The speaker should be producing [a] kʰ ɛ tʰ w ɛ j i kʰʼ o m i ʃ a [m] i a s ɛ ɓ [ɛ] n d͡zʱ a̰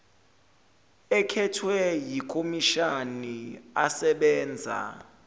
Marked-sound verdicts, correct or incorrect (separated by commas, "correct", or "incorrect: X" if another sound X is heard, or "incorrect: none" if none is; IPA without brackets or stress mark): incorrect: ɛ, incorrect: n, incorrect: ɛː